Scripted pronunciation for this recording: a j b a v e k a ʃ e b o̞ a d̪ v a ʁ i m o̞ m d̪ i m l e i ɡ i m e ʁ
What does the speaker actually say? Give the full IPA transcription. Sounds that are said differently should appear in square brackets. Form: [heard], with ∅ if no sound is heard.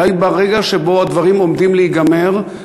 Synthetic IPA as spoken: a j b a [ʁ] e [ɡ] a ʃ e b o̞ a d̪ v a ʁ i m o̞ m d̪ i m l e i ɡ [a] m e ʁ